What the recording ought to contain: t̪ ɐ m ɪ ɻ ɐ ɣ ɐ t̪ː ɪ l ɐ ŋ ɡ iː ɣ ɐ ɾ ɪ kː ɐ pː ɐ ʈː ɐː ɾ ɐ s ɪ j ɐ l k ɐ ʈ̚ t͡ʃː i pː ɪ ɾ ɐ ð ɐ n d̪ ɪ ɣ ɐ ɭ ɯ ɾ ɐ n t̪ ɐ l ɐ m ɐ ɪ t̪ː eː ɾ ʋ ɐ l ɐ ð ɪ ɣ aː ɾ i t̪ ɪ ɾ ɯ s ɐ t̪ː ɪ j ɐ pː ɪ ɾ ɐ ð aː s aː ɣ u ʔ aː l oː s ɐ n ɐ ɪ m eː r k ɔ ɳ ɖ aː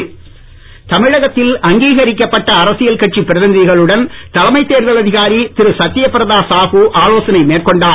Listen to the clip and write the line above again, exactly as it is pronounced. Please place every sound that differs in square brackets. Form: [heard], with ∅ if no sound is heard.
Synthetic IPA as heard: t̪ ɐ m ɪ ɻ ɐ ɣ ɐ t̪ː ɪ l ɐ ŋ ɡ iː ɣ ɐ ɾ ɪ kː ɐ pː ɐ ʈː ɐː ɾ ɐ s ɪ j ɐ l k ɐ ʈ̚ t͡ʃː i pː ɪ ɾ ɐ ð ɐ n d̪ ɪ ɣ ɐ ɭ ɯ [ɽ] ɐ n t̪ ɐ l ɐ m ɐ ɪ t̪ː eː ɾ ʋ ɐ l ɐ ð ɪ ɣ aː ɾ i t̪ ɪ ɾ ɯ s ɐ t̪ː ɪ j ɐ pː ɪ ɾ ɐ ð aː s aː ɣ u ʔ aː l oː s ɐ n ɐ ɪ m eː r k ɔ ɳ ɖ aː

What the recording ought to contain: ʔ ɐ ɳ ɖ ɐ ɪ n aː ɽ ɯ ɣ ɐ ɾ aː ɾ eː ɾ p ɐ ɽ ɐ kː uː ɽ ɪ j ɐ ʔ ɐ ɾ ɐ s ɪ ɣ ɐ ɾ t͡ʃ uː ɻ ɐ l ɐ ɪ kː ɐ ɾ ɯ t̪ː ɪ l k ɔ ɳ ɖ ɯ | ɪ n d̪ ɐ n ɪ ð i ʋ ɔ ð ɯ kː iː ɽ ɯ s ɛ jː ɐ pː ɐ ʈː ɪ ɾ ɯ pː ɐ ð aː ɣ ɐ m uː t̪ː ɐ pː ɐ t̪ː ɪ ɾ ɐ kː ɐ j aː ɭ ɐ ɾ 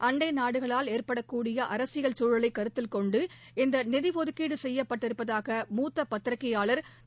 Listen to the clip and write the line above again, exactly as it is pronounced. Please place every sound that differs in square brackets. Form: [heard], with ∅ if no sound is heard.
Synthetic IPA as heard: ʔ ɐ ɳ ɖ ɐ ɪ n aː ɽ ɯ ɣ ɐ [ɭ] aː [l] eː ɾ p ɐ ɽ ɐ kː uː ɽ ɪ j ɐ ʔ ɐ ɾ ɐ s ɪ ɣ ɐ [ɭ] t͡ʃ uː ɻ ɐ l ɐ ɪ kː ɐ ɾ ɯ t̪ː ɪ l k ɔ ɳ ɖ ɯ | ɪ n d̪ ɐ n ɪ ð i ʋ ɔ ð ɯ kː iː ɽ ɯ s ɛ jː ɐ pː ɐ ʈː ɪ ɾ ɯ pː ɐ ð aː ɣ ɐ m uː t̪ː ɐ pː ɐ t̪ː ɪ ɾ ɐ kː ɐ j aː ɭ ɐ ɾ

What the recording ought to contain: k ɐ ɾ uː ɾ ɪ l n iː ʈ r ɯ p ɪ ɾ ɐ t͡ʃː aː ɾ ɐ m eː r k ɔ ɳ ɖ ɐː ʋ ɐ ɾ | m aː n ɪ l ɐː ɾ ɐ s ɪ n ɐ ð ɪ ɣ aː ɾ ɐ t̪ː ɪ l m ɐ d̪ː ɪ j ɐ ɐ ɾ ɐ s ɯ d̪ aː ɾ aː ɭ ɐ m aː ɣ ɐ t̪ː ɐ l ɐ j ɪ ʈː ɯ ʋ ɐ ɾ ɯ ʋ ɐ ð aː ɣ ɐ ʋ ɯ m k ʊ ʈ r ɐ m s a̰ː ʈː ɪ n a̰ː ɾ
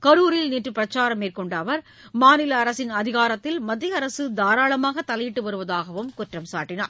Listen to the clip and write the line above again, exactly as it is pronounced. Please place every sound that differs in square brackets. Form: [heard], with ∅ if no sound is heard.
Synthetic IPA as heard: k ɐ ɾ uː ɾ ɪ l n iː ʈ r ɯ p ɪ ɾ ɐ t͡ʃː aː ɾ ɐ m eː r k ɔ ɳ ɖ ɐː ʋ ɐ ɾ | m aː n ɪ l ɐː ɾ ɐ s ɪ n ɐ ð ɪ ɣ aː ɾ ɐ t̪ː ɪ l m ɐ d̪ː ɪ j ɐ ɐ ɾ ɐ s ɯ d̪ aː ɾ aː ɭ ɐ m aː ɣ ɐ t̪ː ɐ l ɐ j ɪ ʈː ɯ ʋ ɐ ɾ ɯ ʋ ɐ ð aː ɣ ɐ ʋ ɯ m k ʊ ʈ r ɐ m s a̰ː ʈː ɪ n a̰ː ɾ

